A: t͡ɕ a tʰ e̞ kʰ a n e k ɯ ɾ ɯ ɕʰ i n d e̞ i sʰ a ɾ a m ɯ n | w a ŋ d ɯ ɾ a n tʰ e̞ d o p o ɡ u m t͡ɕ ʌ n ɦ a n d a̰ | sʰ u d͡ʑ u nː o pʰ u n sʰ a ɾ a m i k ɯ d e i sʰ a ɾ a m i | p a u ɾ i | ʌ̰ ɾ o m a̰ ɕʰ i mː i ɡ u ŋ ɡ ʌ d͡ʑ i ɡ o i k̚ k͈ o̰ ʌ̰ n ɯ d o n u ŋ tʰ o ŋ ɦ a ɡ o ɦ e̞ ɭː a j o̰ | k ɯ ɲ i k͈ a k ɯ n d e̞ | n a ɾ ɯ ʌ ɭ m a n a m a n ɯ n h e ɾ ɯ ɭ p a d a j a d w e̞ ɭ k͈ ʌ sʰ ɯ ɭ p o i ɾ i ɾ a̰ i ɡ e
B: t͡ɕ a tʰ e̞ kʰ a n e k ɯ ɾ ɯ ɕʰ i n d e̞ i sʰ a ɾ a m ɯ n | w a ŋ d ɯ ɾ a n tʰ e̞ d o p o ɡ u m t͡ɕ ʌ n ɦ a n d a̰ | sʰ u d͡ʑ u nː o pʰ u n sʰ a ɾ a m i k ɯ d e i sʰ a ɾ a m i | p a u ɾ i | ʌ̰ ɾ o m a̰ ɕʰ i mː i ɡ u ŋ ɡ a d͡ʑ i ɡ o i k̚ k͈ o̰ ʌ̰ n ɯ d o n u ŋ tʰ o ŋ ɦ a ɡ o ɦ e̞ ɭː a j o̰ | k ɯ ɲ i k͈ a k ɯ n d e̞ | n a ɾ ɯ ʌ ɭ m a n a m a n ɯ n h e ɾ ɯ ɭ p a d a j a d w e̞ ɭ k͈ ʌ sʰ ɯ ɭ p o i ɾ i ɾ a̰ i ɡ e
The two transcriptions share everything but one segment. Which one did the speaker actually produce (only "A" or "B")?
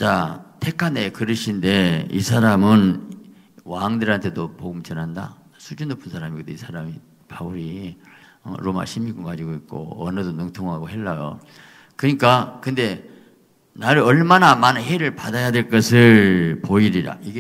B